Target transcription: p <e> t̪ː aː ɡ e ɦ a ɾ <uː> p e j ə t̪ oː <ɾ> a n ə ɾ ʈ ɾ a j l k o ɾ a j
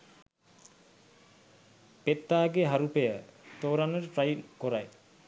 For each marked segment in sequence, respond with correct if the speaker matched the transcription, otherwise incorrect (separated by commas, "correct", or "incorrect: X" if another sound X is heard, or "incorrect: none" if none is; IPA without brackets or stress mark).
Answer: correct, incorrect: u, correct